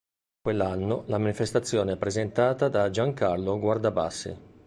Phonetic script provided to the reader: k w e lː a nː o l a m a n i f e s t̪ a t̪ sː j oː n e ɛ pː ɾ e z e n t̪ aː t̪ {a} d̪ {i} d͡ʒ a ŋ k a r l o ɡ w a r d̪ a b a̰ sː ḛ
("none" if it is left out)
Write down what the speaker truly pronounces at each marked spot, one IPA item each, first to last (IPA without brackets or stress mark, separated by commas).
a, a